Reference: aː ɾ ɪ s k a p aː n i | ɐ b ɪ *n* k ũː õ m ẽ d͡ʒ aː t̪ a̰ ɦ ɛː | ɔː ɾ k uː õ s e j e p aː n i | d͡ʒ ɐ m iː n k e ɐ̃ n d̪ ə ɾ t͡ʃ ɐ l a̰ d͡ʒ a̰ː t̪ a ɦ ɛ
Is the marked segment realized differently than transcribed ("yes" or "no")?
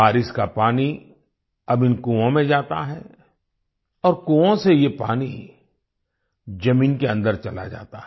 no